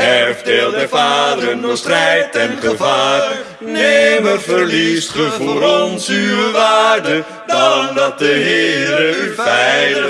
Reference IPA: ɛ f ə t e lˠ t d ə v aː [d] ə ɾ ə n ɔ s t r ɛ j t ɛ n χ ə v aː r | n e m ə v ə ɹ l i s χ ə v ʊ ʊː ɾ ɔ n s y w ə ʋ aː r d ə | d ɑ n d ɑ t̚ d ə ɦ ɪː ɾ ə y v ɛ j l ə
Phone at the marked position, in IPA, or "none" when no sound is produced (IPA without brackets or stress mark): d